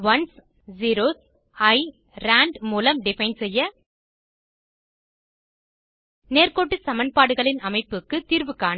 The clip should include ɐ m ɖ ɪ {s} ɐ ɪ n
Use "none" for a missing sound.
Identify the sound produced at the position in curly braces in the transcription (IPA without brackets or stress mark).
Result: f